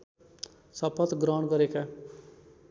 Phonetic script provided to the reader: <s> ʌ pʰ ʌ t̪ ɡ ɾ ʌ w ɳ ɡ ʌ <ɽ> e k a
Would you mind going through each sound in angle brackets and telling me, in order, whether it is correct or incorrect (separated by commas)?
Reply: correct, incorrect